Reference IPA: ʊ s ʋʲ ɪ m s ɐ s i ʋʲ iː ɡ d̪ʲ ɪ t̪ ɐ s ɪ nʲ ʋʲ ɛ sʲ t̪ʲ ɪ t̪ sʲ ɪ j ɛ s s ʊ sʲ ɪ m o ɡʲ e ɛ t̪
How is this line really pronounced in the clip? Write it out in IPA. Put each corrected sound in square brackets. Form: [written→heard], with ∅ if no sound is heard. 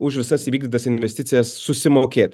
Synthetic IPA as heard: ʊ [s→ʃ] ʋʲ ɪ [m→∅] s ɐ s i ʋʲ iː ɡ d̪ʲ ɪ t̪ ɐ s ɪ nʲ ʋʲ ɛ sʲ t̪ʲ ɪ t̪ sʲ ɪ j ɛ s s ʊ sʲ ɪ m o [ɡʲ→kʲ] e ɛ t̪